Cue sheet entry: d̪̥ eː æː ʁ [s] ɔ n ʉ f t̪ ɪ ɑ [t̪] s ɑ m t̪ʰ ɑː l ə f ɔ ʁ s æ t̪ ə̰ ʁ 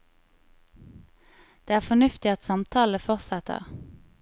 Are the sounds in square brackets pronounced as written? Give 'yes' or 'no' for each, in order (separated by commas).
no, yes